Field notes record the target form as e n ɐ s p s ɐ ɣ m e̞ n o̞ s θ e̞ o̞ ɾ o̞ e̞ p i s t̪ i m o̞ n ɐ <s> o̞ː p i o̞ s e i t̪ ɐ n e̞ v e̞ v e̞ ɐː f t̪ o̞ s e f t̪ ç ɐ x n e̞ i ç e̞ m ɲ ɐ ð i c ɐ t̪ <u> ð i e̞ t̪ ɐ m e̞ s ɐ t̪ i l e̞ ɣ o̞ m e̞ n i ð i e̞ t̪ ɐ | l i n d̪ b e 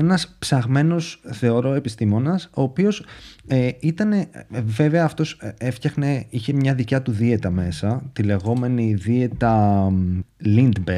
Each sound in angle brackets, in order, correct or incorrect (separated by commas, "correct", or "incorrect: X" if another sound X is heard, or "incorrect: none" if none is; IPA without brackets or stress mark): correct, correct